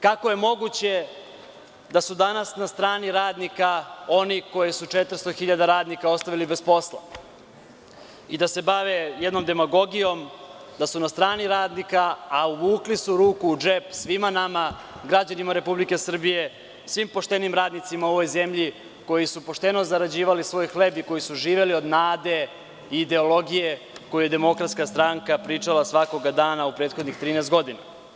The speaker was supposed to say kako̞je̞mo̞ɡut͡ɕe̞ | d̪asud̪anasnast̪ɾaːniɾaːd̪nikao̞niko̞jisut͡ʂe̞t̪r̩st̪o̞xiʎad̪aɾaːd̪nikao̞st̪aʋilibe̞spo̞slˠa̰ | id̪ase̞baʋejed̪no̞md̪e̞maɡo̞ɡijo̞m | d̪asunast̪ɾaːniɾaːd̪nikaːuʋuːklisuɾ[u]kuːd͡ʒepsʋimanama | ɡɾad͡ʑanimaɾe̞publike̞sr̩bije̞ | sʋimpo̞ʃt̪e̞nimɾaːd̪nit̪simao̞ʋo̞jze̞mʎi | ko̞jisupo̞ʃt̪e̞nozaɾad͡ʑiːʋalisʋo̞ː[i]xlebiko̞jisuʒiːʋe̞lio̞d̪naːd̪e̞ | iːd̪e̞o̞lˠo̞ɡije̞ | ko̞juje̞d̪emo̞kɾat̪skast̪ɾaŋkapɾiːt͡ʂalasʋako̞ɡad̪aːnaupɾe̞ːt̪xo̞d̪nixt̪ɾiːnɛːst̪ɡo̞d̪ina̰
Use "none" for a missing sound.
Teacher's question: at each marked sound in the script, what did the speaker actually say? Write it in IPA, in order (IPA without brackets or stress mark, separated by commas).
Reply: uː, j